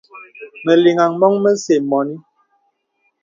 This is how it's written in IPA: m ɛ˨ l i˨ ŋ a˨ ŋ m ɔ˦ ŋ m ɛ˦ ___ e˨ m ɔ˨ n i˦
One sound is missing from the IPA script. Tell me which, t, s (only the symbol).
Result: s